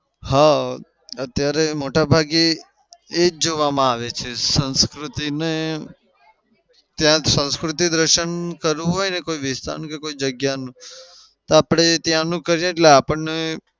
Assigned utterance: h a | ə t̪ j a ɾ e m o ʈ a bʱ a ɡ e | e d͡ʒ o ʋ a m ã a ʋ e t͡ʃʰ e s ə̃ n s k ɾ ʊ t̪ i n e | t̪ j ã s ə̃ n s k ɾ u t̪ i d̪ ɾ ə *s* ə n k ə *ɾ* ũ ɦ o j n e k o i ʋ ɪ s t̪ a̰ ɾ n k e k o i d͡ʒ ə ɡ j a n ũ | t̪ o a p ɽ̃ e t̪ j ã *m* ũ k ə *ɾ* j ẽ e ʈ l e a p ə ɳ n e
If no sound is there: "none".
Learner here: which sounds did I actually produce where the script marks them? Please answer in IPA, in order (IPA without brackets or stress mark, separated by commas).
ʃ, ɾ, n, ɾ